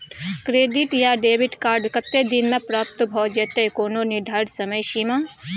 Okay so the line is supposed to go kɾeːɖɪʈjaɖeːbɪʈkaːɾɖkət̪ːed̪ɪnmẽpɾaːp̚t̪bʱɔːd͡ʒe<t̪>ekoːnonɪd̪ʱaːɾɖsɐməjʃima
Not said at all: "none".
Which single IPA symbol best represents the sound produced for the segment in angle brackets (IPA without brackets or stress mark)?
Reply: t̪